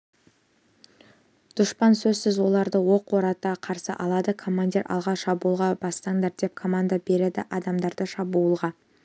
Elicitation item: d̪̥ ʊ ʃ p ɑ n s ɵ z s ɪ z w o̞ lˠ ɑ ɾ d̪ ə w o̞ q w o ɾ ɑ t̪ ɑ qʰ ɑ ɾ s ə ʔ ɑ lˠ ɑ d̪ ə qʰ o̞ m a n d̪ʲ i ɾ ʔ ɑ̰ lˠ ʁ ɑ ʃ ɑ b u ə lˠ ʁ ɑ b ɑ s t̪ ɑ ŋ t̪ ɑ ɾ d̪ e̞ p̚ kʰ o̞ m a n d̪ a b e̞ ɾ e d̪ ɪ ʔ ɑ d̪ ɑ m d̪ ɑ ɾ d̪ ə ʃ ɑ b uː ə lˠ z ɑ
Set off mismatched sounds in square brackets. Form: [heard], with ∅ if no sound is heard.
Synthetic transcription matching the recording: d̪̥ ʊ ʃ p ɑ n s ɵ z s ɪ z w o̞ lˠ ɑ ɾ d̪ ə w o̞ q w o ɾ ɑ t̪ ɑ qʰ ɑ ɾ s ə ʔ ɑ lˠ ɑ d̪ ə [kʰ] o̞ m a n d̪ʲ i ɾ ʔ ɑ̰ lˠ ʁ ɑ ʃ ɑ b u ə lˠ ʁ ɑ b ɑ s t̪ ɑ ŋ [d̪] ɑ ɾ d̪ e̞ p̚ kʰ o̞ m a n d̪ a b e̞ ɾ e d̪ ɪ ʔ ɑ d̪ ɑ m d̪ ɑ ɾ d̪ ə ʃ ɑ b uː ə lˠ [ʁ] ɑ